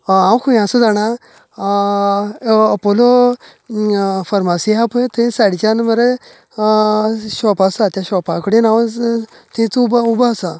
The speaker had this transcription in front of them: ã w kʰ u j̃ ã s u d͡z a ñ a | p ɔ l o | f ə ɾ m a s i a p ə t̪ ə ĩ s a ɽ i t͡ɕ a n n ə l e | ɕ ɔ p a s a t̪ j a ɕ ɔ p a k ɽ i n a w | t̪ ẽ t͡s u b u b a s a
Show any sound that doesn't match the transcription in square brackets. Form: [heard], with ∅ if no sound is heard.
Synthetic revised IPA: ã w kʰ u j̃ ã s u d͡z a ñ a | p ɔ l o | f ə ɾ m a s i a p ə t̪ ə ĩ s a ɽ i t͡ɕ a n [m] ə [ɾ] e | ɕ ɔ p a s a t̪ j a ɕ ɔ p a k ɽ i n a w | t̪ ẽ t͡s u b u b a s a